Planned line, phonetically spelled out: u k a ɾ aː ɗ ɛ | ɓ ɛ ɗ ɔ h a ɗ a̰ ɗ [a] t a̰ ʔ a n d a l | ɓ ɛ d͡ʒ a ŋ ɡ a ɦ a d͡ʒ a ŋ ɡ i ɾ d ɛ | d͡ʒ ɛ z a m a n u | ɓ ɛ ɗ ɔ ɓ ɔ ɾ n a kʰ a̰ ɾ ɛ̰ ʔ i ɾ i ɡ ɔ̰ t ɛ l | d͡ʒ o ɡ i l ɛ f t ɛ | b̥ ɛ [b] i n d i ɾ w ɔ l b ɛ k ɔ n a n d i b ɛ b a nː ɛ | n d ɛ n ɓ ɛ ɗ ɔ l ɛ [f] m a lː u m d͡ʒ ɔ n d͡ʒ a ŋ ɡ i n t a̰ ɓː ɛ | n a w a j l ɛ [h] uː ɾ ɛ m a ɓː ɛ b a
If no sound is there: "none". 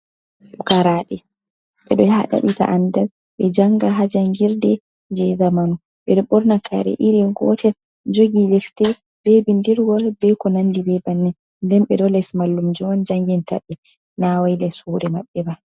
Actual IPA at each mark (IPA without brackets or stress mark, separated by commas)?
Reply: i, b, s, s